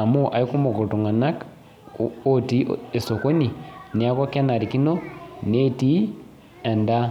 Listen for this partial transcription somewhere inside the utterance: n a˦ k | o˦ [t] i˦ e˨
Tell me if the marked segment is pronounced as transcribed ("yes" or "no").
yes